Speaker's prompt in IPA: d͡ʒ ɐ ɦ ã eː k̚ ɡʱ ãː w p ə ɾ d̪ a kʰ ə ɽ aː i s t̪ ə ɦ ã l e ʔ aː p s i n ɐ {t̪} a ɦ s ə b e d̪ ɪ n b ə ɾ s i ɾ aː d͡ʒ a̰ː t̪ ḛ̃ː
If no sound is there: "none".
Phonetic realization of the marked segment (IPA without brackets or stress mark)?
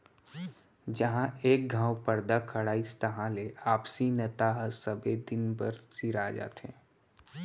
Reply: t̪